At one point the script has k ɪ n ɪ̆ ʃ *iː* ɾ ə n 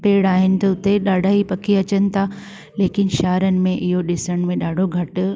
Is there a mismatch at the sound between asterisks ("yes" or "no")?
yes